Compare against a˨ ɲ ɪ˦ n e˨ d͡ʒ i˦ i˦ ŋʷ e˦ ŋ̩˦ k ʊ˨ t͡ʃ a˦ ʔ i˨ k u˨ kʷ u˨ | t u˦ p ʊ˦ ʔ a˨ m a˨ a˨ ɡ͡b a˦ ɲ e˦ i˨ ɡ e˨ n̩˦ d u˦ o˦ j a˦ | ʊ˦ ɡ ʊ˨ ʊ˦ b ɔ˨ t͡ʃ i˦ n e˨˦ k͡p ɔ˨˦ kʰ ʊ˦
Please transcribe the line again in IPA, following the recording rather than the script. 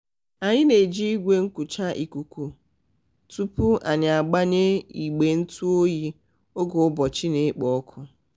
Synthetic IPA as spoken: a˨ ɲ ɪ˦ n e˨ d͡ʒ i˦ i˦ ɡʷ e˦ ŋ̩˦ k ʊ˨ t͡ʃ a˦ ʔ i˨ k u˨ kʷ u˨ | t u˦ p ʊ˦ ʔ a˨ ɲ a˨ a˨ ɡ͡b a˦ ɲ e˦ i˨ ɡ͡b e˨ n̩˦ t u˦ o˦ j i˦ | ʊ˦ ɡ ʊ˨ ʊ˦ b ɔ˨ t͡ʃ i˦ n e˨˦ k͡p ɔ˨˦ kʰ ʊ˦